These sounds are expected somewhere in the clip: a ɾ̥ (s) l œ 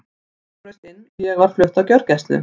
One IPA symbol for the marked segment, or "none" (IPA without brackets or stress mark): f